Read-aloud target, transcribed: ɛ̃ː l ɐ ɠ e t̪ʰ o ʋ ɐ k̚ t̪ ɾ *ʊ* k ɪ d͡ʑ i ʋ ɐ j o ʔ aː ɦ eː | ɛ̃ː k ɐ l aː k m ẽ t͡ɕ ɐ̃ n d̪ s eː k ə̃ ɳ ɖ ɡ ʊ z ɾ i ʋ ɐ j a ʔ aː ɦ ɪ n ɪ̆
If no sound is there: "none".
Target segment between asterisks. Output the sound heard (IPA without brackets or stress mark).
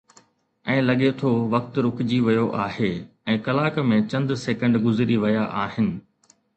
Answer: ʊ